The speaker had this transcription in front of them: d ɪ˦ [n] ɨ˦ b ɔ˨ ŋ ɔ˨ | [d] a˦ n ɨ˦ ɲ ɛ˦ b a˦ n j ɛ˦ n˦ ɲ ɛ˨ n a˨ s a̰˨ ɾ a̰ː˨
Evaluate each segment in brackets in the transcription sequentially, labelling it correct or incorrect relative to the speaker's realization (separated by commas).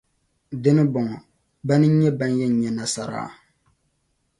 correct, incorrect